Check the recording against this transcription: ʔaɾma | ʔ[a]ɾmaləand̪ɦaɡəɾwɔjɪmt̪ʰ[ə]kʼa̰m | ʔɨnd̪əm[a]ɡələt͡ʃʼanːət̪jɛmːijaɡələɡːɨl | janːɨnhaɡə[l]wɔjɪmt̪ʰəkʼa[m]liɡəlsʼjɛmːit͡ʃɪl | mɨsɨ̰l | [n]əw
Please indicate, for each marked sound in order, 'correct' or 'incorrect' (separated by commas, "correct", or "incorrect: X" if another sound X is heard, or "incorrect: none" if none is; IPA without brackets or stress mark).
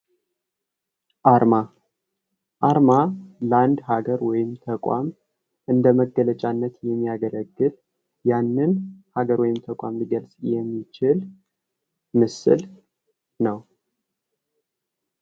correct, correct, incorrect: ə, incorrect: ɾ, correct, correct